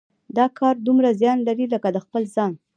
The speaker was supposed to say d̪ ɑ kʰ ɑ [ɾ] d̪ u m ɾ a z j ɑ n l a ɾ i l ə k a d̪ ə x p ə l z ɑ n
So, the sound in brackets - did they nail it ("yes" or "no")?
yes